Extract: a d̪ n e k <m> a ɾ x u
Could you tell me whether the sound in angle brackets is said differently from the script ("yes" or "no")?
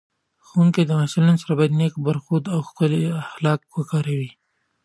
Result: yes